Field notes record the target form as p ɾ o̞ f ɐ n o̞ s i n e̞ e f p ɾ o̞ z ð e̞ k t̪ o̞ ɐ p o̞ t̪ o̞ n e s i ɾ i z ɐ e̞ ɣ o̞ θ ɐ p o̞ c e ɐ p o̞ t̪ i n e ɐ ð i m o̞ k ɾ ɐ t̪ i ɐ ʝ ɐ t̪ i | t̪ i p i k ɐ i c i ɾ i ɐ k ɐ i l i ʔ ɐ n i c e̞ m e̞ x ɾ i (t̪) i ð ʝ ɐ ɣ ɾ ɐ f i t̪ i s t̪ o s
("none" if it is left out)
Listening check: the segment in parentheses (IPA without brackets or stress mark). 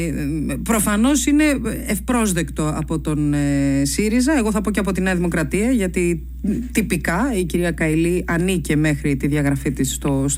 t̪